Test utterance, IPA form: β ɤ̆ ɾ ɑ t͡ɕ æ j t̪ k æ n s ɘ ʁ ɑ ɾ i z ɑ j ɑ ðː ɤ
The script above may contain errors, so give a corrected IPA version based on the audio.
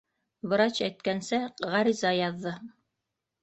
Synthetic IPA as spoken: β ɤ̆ ɾ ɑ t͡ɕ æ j t̪ k æ n s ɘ ʁ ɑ ɾ i z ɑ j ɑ ðː ɤ